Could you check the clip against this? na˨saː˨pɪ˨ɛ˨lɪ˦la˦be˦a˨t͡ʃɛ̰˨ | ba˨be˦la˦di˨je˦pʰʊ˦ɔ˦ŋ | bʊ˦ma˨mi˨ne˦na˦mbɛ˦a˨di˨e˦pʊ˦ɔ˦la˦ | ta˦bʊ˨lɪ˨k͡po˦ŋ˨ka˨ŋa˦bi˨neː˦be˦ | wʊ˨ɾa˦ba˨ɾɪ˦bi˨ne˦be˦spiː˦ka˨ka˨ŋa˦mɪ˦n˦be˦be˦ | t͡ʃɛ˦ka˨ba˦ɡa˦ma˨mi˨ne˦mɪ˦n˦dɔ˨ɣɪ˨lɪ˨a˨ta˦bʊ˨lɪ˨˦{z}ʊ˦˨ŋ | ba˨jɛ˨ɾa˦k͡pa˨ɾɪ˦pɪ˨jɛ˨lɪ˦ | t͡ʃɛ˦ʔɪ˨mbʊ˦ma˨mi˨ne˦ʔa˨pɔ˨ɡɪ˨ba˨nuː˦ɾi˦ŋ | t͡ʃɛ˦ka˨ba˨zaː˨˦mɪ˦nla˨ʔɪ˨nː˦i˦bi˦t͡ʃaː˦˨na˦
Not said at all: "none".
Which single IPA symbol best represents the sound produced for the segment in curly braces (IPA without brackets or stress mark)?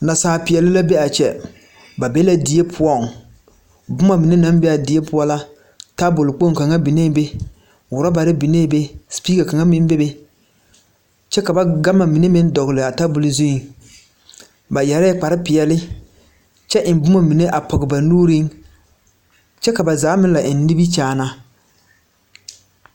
z